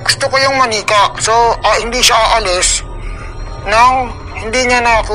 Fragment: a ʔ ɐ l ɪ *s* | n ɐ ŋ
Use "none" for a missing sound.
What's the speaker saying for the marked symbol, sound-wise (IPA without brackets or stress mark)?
s